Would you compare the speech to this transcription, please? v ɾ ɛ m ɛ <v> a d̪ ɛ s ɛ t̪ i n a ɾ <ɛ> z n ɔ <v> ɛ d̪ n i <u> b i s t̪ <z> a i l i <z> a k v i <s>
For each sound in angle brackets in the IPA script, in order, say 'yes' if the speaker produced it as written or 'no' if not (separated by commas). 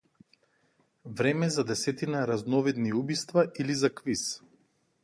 no, no, yes, yes, no, yes, yes